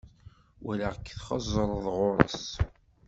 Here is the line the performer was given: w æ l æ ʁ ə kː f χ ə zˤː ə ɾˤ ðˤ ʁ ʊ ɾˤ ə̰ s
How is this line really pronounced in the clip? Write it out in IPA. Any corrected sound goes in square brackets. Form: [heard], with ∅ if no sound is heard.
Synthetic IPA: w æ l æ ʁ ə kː [θ] χ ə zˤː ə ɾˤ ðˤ ʁ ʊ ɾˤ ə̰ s